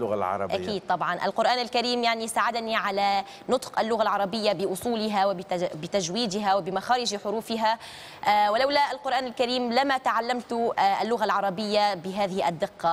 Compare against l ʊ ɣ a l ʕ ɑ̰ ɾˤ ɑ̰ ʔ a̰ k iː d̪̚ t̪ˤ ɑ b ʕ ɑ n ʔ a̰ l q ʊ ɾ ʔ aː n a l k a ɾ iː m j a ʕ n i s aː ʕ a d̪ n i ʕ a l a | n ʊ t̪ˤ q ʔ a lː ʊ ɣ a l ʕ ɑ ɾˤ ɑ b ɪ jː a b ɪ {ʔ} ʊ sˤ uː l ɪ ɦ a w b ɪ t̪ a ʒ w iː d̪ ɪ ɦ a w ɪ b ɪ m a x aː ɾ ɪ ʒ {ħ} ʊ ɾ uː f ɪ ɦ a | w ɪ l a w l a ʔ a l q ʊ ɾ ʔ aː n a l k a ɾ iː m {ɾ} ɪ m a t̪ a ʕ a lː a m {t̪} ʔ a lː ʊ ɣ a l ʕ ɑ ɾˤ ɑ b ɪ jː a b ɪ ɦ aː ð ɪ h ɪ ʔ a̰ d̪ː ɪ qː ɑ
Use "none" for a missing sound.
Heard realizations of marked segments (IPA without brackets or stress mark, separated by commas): ʔ, ħ, l, t̪